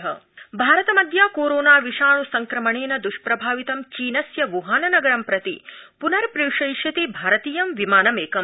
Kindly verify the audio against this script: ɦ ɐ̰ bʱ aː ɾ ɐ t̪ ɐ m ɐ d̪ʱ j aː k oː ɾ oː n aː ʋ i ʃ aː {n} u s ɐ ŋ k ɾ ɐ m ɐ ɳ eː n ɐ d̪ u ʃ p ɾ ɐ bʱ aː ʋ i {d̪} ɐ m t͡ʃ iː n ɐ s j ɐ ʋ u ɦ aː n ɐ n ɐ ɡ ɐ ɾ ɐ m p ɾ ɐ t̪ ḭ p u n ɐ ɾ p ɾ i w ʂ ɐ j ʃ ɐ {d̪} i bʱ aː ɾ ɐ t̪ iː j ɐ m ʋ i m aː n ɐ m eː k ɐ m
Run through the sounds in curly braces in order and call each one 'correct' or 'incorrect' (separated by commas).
incorrect, incorrect, incorrect